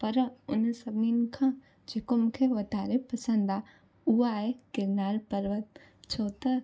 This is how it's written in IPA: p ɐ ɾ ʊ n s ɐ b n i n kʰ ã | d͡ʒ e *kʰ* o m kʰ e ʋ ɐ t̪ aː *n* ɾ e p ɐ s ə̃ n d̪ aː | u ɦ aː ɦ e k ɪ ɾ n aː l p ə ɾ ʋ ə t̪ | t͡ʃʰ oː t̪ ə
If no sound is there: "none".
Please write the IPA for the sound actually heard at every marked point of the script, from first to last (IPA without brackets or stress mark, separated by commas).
k, none